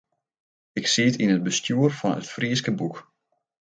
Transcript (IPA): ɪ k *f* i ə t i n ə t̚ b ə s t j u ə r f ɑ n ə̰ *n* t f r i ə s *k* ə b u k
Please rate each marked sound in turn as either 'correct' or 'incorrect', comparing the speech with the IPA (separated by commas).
incorrect, incorrect, correct